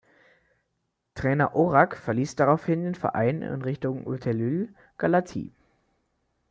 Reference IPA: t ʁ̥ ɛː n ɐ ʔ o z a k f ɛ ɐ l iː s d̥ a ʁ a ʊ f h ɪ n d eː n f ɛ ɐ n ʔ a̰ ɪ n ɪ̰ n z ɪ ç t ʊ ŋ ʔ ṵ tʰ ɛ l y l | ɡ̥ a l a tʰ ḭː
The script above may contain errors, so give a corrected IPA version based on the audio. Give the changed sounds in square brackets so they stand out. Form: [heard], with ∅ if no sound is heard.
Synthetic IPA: t ʁ̥ ɛː n ɐ ʔ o [ʁ] a k f ɛ ɐ l iː s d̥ a ʁ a ʊ f h ɪ n d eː n f ɛ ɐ [∅] ʔ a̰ ɪ n ɪ̰ n [ʁ] ɪ ç t ʊ ŋ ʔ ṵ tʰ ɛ l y l | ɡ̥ a l a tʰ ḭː